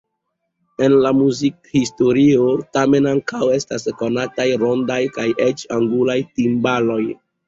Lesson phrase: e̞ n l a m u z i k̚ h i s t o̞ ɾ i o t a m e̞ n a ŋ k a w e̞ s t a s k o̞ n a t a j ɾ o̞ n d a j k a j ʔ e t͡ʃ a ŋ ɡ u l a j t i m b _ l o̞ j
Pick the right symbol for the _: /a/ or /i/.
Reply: a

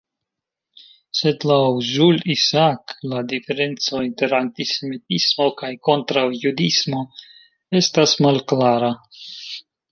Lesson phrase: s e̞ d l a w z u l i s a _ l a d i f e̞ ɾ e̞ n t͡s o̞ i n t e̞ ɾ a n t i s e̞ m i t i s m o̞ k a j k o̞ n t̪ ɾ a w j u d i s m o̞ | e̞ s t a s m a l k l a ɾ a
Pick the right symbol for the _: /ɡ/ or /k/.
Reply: k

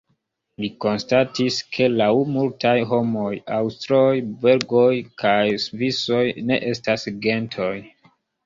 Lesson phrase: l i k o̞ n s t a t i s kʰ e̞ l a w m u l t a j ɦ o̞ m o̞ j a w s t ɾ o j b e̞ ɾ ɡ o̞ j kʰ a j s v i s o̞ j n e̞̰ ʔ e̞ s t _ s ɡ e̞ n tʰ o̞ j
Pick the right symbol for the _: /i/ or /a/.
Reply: a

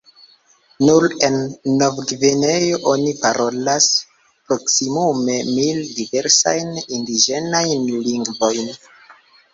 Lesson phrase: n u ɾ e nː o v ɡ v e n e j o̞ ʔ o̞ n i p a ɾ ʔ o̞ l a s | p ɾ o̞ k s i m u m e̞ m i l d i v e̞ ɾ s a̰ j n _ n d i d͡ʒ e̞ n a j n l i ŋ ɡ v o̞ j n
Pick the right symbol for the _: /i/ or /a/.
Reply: i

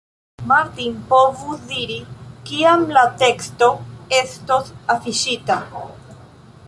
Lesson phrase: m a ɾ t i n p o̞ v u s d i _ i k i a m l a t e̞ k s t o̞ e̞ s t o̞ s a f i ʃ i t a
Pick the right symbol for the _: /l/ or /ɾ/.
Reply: ɾ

